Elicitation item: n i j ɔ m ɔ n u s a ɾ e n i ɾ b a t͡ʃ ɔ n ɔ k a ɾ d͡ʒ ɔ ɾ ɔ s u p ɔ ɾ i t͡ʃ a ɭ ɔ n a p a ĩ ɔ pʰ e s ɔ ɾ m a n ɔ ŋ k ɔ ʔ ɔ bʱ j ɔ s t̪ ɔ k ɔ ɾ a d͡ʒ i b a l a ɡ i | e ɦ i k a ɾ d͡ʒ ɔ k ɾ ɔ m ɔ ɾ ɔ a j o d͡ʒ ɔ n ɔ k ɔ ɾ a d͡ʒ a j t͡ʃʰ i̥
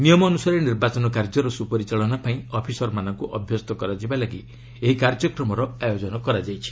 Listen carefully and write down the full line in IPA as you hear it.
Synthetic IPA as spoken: n i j ɔ m ɔ n u s a ɾ e n i ɾ b a t͡ʃ ɔ n ɔ k a ɾ d͡ʒ ɔ ɾ ɔ s u p ɔ ɾ i t͡ʃ a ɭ ɔ n a p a ĩ ɔ pʰ i s ɔ ɾ m a n ɔ ŋ k u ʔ ɔ bʱ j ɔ s t̪ ɔ k ɔ ɾ a d͡ʒ i b a l a ɡ i | e ɦ i k a ɾ d͡ʒ ɔ k ɾ ɔ m ɔ ɾ ɔ a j o d͡ʒ ɔ n ɔ k ɔ ɾ a d͡ʒ a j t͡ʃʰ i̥

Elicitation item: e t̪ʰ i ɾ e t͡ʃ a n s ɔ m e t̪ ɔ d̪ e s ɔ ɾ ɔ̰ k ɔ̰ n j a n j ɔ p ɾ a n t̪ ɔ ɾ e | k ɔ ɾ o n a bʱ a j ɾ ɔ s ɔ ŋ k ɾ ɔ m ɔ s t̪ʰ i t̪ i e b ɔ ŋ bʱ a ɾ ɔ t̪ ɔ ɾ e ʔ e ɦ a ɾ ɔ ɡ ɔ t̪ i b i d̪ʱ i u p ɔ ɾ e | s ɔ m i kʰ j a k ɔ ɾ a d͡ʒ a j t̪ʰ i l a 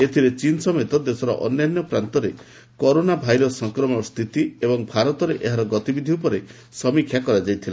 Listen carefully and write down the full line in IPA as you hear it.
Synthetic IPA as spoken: e t̪ʰ i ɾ e t͡ʃ i n s ɔ m e t̪ ɔ d̪ e s ɔ ɾ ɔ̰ ʔ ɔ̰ n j a n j ɔ p ɾ a n t̪ ɔ ɾ e | k ɔ ɾ o n a bʱ a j ɾ ɔ s ɔ ŋ k ɾ ɔ m ɔ s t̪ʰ i t̪ i e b ɔ ŋ bʱ a ɾ ɔ t̪ ɔ ɾ e ʔ e ɦ a ɾ ɔ ɡ ɔ t̪ i b i d̪ʱ i u p ɔ ɾ e | s ɔ m i kʰ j a k ɔ ɾ a d͡ʒ a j t̪ʰ i l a

